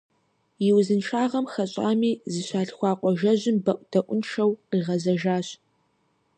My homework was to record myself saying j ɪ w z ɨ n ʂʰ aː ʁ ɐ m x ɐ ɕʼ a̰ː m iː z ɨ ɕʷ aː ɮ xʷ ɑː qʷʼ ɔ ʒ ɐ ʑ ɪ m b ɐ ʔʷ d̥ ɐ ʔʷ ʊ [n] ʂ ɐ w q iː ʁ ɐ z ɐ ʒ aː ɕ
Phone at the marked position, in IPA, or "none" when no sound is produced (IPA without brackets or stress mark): n